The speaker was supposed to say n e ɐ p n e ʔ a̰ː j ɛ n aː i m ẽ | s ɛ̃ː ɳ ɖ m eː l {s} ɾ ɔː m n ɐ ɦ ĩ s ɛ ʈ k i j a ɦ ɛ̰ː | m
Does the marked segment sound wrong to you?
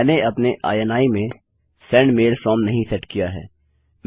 yes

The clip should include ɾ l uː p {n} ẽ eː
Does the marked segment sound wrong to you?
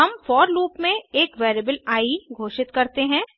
yes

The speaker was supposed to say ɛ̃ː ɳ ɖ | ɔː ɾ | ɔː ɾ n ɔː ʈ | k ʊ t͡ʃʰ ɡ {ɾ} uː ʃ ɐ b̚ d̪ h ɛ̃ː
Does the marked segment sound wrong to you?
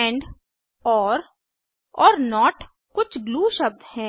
yes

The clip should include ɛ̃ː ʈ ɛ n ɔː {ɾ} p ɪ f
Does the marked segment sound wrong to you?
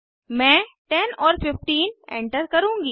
no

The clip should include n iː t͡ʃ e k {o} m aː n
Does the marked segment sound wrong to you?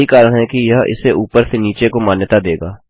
no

